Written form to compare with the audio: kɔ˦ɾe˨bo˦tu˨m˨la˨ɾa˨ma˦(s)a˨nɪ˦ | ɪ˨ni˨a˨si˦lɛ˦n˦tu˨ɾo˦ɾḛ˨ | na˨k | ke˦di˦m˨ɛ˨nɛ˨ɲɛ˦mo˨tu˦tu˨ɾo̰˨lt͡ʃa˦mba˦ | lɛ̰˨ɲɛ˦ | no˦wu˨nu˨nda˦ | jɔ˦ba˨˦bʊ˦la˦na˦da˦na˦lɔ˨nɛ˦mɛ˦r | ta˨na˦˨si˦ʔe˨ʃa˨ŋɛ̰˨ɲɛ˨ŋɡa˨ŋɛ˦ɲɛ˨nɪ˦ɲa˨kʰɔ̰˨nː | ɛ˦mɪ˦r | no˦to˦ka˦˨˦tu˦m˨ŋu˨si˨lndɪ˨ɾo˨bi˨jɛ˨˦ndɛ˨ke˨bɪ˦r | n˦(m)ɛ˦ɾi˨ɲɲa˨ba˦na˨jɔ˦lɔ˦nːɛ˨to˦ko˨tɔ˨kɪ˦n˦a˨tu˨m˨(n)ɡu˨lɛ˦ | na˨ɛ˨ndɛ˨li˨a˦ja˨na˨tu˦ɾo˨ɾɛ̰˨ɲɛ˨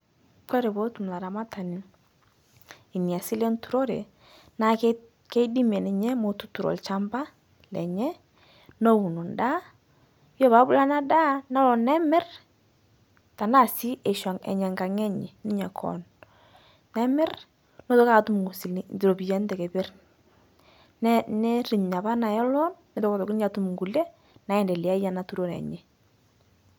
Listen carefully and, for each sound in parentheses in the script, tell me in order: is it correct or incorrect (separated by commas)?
incorrect, incorrect, incorrect